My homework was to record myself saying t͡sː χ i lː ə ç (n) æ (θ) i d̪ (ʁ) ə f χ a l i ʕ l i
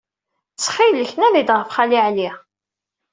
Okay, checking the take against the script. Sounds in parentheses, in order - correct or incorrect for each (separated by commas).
correct, incorrect, correct